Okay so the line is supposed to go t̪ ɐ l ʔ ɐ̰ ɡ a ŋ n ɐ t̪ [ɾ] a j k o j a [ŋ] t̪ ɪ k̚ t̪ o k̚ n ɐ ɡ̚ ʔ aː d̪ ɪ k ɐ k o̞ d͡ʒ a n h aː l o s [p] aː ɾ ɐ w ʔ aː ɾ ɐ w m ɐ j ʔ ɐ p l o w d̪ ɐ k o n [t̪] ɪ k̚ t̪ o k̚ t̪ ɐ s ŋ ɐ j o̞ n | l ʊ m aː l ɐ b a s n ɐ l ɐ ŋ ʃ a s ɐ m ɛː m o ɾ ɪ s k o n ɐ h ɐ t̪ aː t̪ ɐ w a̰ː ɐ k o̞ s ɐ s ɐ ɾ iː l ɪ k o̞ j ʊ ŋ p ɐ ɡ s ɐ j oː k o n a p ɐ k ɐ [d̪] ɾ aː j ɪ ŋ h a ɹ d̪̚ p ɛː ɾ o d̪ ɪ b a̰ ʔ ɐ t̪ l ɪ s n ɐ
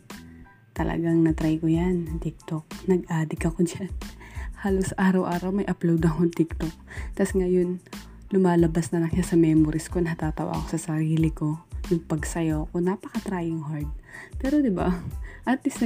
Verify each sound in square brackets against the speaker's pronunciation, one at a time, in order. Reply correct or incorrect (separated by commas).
correct, incorrect, incorrect, correct, incorrect